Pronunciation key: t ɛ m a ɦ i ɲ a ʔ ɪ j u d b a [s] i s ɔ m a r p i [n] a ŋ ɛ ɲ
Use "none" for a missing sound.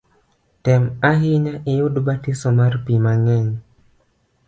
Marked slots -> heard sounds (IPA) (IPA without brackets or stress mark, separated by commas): t, m